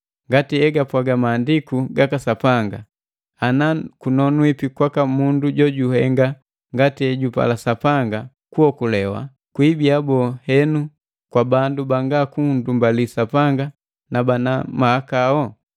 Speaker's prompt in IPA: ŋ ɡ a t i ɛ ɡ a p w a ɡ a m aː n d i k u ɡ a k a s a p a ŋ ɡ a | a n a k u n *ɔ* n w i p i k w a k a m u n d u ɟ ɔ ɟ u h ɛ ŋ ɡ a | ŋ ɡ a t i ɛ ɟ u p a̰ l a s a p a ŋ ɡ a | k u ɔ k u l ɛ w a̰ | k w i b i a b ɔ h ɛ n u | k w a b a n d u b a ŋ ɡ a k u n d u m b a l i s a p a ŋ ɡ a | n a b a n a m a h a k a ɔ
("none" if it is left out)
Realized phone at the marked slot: ɔ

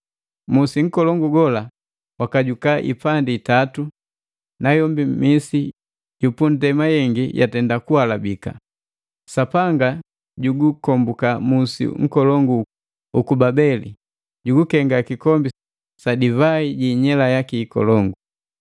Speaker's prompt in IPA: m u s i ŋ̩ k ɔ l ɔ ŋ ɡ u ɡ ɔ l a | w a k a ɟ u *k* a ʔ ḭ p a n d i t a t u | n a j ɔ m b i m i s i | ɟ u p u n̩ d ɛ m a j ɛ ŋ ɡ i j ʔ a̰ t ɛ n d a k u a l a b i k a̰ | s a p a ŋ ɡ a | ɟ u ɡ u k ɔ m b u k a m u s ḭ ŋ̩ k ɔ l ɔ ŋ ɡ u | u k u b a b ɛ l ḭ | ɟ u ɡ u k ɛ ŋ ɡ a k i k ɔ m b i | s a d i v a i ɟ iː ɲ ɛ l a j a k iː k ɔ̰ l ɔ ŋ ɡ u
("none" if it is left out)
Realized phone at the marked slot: k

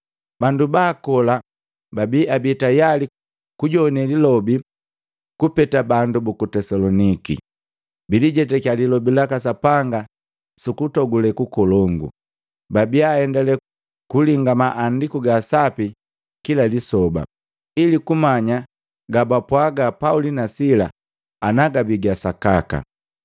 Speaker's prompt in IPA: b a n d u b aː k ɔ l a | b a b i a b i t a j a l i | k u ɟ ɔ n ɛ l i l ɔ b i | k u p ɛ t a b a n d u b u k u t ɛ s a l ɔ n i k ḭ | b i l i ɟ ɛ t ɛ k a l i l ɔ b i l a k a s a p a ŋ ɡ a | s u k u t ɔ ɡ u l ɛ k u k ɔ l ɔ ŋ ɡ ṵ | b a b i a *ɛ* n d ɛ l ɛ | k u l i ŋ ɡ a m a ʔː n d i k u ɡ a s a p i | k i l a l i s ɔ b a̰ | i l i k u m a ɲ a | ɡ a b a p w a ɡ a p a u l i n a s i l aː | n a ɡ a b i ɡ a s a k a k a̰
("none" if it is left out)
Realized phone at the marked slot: ɛ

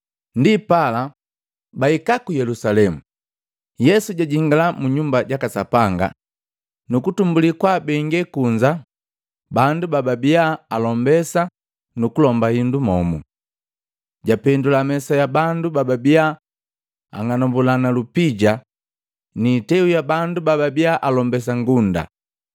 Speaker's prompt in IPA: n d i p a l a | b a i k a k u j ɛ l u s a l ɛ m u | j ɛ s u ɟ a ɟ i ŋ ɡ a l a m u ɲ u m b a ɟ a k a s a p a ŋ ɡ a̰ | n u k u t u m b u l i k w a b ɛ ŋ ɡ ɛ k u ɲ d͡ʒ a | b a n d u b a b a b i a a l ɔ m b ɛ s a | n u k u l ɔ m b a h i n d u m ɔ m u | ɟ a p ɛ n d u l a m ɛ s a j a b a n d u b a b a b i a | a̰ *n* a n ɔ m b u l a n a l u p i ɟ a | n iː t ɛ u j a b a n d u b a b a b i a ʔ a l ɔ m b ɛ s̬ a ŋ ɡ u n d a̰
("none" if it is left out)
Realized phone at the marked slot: ŋ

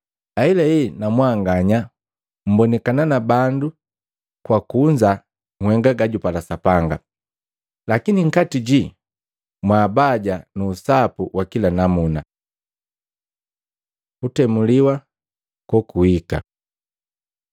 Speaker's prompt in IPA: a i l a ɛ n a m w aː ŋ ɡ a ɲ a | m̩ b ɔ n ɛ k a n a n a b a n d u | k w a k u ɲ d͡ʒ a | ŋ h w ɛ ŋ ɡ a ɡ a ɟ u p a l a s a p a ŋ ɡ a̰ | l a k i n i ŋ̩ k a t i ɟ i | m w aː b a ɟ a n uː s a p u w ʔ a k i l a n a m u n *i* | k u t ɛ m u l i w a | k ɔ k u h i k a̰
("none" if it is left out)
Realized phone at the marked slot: a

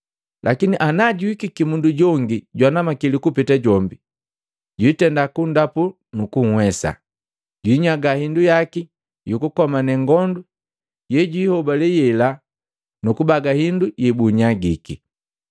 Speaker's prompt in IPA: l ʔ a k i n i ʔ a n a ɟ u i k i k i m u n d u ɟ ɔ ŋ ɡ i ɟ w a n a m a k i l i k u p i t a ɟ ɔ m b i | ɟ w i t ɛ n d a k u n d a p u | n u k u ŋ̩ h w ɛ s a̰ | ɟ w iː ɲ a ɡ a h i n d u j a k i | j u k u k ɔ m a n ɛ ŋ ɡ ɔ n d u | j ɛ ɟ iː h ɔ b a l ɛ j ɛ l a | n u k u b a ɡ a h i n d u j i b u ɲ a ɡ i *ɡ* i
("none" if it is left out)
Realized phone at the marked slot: k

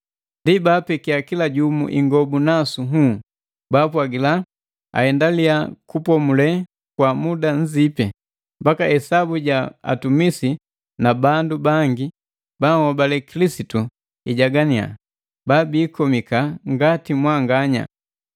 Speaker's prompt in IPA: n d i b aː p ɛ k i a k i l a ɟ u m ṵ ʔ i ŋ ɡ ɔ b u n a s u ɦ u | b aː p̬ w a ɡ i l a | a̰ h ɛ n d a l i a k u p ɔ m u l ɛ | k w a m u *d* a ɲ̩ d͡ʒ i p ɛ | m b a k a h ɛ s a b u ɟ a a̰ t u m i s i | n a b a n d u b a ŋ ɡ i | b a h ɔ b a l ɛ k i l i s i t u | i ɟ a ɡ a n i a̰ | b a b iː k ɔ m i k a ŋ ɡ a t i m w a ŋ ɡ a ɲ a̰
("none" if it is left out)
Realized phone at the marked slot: d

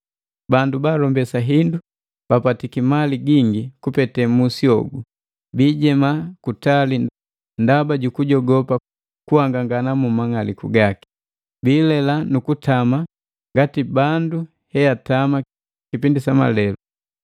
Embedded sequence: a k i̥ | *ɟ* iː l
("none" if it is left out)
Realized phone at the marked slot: b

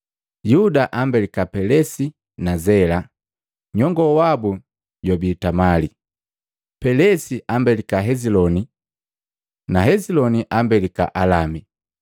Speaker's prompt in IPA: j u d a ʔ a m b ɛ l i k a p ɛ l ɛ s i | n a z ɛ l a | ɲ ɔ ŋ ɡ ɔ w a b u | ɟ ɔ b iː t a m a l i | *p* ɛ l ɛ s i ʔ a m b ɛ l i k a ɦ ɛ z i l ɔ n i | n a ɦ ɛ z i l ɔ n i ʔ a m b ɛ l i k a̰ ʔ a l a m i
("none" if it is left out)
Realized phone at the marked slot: p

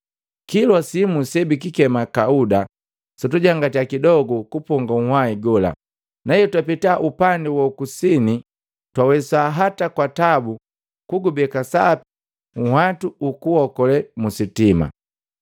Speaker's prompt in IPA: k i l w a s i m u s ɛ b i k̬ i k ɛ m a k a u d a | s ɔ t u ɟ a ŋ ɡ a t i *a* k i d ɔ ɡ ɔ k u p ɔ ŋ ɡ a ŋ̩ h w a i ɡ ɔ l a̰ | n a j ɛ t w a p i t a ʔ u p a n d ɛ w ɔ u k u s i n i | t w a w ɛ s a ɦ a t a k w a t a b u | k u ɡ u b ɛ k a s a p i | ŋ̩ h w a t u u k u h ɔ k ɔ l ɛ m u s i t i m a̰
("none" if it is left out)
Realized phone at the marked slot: a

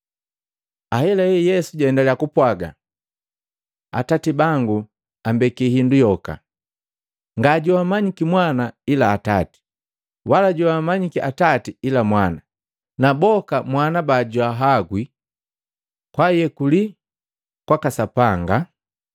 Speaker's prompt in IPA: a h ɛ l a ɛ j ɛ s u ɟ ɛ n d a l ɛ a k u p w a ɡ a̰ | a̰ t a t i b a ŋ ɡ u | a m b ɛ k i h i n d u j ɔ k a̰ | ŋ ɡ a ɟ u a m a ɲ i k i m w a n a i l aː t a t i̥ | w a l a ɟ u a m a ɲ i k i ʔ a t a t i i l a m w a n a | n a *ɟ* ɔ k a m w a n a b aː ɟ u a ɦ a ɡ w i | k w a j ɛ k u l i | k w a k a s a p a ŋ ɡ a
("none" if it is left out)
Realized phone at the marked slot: b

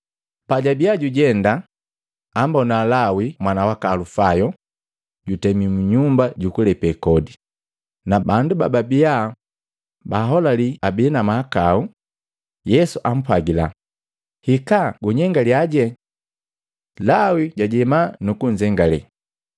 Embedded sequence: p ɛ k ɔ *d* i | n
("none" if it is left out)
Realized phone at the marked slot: d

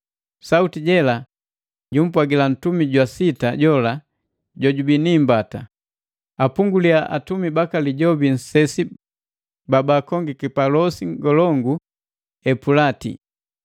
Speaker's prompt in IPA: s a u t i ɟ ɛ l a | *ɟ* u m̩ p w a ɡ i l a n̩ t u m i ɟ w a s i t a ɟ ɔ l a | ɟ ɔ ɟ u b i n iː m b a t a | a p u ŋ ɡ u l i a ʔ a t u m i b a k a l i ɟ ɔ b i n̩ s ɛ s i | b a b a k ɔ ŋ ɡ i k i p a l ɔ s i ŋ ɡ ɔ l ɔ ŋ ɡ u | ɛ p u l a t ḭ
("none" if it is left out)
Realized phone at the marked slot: ɟ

